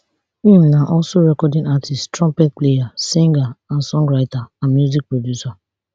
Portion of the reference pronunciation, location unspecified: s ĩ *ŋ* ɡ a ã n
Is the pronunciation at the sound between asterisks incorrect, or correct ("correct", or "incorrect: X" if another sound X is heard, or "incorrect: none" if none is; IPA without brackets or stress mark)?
correct